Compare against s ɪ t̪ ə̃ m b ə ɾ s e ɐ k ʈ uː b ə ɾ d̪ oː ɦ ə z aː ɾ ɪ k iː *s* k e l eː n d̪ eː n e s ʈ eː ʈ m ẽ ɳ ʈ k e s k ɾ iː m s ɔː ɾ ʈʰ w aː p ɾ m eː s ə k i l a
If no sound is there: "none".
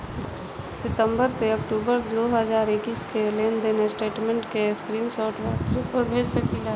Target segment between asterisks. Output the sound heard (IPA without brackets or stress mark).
s